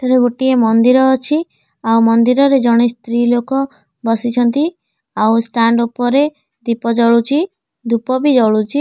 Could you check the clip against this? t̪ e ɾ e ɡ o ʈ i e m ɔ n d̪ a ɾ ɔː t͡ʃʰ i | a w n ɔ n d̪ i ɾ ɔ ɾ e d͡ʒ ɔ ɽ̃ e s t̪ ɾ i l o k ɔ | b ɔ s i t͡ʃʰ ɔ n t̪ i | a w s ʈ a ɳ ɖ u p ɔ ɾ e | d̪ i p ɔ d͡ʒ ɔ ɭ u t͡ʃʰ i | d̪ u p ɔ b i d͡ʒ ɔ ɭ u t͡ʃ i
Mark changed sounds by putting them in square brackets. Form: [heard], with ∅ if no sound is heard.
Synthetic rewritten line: t̪ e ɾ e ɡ o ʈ i e m ɔ n d̪ [i] ɾ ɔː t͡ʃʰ i | a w [m] ɔ n d̪ i ɾ ɔ ɾ e d͡ʒ ɔ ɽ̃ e s t̪ ɾ i l o k ɔ | b ɔ s i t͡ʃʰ ɔ n t̪ i | a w s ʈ a ɳ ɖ u p ɔ ɾ e | d̪ i p ɔ d͡ʒ ɔ ɭ u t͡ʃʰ i | d̪ u p ɔ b i d͡ʒ ɔ ɭ u t͡ʃ i